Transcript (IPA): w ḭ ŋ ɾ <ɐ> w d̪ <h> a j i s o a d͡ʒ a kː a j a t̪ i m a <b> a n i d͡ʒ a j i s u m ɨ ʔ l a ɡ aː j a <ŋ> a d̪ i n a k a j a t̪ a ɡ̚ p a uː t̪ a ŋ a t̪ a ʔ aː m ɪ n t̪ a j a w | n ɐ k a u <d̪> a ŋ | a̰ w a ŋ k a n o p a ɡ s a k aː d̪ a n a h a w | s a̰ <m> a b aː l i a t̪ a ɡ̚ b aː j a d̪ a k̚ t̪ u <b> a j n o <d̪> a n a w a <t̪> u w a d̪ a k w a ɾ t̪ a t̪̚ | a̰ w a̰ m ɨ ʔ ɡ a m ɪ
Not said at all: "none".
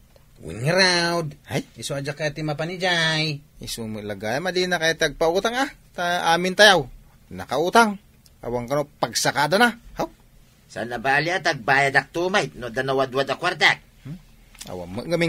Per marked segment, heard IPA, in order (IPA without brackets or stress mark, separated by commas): a, h, p, m, t̪, n, m, d̪, d̪